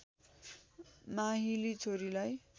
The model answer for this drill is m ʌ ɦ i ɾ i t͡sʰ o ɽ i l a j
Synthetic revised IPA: m a ɦ i l i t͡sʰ o ɾ i l a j

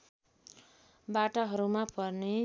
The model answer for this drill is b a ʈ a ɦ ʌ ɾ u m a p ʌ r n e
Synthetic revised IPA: b a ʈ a ɦ ʌ ɾ u m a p ʌ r n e

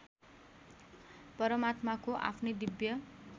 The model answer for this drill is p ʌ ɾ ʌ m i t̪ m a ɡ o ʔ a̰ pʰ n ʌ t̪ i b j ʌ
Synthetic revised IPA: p ʌ ɾ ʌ m a t̪ m a k o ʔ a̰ pʰ n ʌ d̪ i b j ʌ

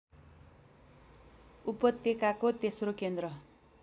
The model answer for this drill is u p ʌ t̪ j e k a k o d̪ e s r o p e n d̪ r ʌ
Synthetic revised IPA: u p ʌ t̪ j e k a k o t̪ e s r o k e n d̪ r ʌ

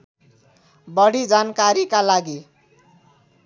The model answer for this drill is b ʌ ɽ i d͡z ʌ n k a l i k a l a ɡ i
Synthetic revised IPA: b ʌ ɽ i d͡z a n k a ɾ i k a l a ɡ i

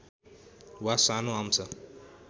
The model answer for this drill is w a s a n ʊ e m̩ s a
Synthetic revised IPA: w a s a n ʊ a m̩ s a

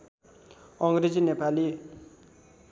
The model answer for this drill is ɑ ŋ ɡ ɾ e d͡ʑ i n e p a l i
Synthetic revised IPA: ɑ ŋ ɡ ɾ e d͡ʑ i n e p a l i

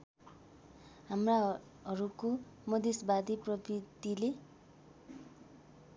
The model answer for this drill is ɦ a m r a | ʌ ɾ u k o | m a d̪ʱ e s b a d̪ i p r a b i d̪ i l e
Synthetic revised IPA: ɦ a m r a | ʌ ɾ u k o | m ʌ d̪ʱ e s b a d̪ i p r ʌ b i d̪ i l e

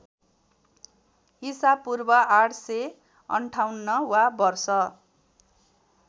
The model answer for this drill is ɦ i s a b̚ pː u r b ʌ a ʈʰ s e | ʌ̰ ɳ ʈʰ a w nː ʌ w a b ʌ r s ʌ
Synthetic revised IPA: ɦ i s a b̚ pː u r b ʌ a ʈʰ s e | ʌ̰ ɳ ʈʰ a w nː ʌ w a b ʌ r s ʌ

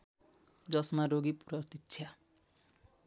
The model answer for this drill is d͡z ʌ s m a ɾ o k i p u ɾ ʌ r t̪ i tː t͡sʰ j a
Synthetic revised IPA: d͡z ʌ s m a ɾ o ɡ i p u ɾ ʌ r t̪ i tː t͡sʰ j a

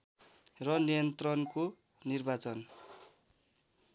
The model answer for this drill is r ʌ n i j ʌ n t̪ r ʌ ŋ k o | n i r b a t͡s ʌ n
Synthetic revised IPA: r ʌ n i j ʌ n t̪ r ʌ n k o | n i r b a t͡s ʌ n

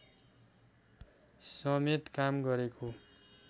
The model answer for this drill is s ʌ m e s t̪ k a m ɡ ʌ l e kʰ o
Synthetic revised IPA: s ʌ m e t̪ k a m ɡ ʌ ɾ e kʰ o

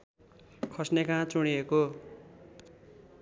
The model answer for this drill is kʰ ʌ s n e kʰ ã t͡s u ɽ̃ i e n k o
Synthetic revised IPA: kʰ ʌ s n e k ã t͡s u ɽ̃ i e k o

